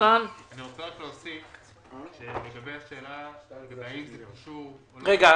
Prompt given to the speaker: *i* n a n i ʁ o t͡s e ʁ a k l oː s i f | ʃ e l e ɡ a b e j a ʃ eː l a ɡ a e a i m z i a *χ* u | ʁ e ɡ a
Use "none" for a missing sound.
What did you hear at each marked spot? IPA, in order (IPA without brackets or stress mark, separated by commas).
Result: a, ʃ